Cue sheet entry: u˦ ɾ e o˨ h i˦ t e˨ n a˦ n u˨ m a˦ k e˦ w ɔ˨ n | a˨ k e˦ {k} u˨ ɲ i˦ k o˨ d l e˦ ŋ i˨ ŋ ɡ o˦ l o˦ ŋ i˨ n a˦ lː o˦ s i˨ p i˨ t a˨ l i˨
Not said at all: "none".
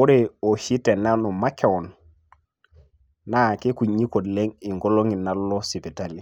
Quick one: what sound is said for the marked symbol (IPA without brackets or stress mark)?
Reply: k